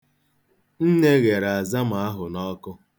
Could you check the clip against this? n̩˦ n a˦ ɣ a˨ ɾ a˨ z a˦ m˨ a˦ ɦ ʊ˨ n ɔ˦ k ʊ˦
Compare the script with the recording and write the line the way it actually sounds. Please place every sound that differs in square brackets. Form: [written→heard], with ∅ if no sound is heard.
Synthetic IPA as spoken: n̩˦ n [a˦→e˦] ɣ [a˨→e˨] ɾ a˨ z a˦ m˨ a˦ ɦ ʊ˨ n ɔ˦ k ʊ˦